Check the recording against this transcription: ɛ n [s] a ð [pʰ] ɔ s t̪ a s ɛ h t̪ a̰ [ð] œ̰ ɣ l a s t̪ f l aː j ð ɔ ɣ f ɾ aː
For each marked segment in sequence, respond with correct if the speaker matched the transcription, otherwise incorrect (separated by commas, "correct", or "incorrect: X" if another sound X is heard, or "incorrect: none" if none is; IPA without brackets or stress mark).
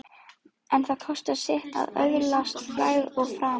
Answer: incorrect: θ, incorrect: kʰ, correct